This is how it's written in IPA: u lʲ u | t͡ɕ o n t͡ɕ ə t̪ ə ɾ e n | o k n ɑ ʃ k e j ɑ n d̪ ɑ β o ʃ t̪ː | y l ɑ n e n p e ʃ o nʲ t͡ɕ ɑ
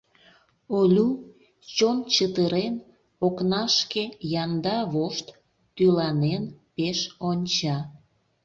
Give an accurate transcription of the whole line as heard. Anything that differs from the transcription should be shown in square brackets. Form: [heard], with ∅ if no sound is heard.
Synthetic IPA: [o] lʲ u | t͡ɕ o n t͡ɕ ə t̪ ə ɾ e n | o k n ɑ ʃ k e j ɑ n d̪ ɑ β o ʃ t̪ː | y l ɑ n e n p e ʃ o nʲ t͡ɕ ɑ